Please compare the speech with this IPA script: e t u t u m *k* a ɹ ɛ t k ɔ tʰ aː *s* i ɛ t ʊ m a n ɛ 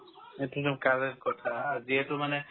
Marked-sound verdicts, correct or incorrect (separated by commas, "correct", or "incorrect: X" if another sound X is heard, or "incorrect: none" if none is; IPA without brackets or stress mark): correct, incorrect: z